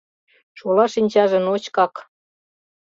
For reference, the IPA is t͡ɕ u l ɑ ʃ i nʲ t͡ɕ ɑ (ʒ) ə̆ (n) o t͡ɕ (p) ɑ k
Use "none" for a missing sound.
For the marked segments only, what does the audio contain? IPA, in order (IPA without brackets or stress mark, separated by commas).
ʒ, n, k